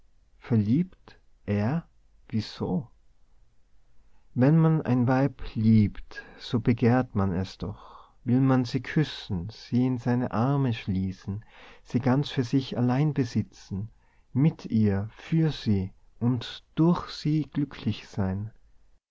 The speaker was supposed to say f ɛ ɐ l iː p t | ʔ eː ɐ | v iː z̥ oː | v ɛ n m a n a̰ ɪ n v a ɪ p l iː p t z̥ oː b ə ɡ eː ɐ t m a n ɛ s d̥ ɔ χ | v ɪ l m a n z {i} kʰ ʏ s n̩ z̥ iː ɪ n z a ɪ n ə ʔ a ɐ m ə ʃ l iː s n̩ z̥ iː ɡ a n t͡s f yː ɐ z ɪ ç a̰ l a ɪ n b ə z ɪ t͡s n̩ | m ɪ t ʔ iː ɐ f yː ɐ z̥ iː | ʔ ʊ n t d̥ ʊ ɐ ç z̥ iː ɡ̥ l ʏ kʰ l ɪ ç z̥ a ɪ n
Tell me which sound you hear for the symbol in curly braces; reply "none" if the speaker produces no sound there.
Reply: iː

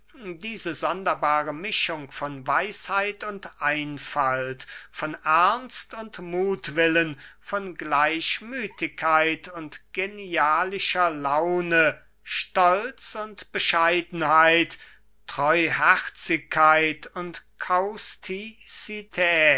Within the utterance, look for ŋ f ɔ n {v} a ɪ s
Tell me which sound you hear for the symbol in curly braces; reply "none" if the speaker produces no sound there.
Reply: v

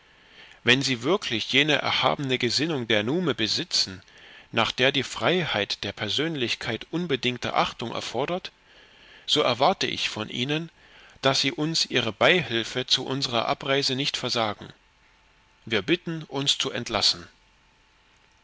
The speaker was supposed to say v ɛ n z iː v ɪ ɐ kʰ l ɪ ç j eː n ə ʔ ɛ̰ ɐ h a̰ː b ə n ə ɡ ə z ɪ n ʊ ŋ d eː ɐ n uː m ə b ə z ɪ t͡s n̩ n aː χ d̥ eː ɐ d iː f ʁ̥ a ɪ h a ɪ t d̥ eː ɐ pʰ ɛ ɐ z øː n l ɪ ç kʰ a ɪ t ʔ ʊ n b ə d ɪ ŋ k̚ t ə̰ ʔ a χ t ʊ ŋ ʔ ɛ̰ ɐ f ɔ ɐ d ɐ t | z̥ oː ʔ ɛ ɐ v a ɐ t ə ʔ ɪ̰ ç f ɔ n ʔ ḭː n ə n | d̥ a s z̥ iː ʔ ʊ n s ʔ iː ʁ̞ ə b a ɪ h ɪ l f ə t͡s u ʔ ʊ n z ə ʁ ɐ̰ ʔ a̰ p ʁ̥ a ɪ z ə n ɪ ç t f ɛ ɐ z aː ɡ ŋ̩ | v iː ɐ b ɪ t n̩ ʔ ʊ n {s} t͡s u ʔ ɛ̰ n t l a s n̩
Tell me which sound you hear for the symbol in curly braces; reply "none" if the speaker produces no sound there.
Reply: s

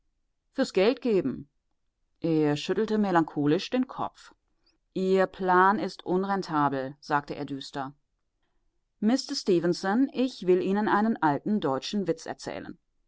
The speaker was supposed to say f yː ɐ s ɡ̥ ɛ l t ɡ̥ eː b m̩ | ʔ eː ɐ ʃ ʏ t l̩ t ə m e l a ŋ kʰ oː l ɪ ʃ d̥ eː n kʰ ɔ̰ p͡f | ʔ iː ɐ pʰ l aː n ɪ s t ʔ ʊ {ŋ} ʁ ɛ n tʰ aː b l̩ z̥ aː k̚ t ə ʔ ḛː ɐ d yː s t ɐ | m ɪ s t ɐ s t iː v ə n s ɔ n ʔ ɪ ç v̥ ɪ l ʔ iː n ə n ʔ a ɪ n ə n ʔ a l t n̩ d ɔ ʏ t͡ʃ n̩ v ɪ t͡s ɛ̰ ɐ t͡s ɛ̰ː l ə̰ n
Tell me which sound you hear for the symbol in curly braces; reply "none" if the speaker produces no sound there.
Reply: n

